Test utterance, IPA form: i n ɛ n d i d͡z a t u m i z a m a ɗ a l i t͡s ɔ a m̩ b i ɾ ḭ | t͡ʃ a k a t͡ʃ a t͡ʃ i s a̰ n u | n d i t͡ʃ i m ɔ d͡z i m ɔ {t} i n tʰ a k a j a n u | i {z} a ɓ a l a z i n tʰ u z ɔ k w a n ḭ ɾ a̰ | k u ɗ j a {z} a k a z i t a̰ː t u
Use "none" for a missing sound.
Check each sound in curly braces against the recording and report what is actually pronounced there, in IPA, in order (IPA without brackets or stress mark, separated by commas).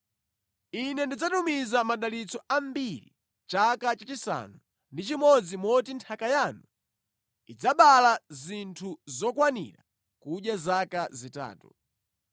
t, d͡z, z